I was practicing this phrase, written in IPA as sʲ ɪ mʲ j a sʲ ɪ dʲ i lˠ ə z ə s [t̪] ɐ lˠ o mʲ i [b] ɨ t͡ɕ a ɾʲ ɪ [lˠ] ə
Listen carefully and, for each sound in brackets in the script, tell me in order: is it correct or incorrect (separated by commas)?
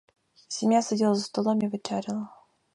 correct, incorrect, correct